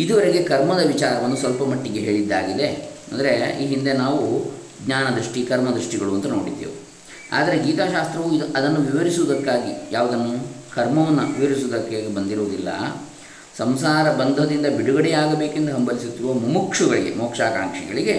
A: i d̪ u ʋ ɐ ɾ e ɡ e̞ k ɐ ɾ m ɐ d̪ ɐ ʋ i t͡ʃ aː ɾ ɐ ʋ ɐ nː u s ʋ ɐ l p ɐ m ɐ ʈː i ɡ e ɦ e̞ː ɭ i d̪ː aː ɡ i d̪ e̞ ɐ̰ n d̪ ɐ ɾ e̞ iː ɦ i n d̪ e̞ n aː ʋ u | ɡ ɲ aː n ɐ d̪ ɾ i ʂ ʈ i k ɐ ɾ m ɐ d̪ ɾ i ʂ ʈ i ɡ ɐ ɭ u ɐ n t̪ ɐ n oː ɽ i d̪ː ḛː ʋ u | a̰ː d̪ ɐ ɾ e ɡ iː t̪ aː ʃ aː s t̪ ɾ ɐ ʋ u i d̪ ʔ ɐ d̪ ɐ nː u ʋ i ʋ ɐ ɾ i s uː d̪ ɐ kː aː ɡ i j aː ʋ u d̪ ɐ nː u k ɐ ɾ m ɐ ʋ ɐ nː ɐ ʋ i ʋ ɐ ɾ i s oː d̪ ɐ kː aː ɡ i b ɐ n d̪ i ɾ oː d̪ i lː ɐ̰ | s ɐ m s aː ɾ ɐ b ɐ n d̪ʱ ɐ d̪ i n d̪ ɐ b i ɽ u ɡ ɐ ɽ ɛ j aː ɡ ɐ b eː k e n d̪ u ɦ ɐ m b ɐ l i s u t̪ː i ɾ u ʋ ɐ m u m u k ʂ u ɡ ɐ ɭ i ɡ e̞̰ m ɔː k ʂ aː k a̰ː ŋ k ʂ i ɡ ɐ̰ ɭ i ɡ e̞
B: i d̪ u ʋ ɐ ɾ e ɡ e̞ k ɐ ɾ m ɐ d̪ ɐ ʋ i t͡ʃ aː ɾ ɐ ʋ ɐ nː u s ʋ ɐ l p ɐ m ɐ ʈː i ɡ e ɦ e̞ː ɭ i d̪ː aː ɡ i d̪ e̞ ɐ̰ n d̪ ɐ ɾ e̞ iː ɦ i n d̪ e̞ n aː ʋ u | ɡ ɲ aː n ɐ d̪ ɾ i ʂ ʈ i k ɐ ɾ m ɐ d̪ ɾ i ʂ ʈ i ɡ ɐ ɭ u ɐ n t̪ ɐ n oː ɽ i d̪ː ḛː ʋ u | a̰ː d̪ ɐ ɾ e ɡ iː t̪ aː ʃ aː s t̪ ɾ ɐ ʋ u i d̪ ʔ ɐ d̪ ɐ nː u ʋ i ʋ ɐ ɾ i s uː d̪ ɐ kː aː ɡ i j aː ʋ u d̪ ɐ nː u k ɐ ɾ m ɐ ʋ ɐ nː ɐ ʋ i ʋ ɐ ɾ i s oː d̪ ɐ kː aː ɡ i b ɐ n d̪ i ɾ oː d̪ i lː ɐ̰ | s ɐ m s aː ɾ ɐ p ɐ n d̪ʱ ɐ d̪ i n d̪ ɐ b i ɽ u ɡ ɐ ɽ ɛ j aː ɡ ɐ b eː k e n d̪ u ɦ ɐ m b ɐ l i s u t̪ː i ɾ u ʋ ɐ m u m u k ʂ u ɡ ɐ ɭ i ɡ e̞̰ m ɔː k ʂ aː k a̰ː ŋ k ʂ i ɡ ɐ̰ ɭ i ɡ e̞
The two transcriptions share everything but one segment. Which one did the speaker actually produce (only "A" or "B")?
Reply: A